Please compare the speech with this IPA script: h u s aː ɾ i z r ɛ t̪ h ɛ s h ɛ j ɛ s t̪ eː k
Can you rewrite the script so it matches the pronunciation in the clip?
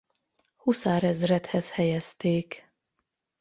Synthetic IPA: h u s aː ɾ ɛ z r ɛ t̪ h ɛ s h ɛ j ɛ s t̪ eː k